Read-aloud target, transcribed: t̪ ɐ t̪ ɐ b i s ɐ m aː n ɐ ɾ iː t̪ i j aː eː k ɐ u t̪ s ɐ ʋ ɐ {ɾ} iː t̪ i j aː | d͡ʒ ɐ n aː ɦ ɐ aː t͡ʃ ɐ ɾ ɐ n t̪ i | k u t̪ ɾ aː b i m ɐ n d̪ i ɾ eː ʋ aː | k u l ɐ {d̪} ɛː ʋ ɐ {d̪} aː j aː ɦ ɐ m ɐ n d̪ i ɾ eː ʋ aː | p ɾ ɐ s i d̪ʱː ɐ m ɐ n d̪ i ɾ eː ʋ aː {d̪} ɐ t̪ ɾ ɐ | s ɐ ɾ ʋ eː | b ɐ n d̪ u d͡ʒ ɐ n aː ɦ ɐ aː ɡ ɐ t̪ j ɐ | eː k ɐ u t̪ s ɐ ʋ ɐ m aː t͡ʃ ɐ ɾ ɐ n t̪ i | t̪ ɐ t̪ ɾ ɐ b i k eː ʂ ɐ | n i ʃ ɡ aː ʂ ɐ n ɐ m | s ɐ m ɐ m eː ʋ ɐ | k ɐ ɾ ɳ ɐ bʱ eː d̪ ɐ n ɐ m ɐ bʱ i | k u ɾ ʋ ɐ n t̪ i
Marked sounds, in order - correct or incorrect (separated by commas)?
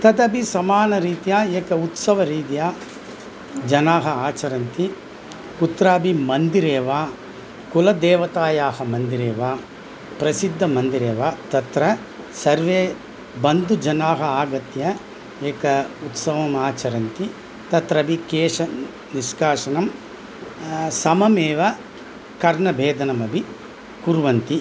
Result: correct, correct, incorrect, incorrect